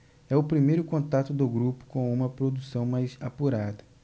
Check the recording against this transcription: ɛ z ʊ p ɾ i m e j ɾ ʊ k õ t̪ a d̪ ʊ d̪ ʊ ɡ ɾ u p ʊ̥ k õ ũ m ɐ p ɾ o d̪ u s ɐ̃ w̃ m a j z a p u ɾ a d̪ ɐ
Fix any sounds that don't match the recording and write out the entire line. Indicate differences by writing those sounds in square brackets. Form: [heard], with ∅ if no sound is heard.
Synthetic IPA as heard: ɛ [∅] ʊ p ɾ i m e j ɾ ʊ k õ t̪ a [t̪] ʊ d̪ ʊ ɡ ɾ u p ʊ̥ k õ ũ m ɐ p ɾ o d̪ u s ɐ̃ w̃ m a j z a p u ɾ a d̪ ɐ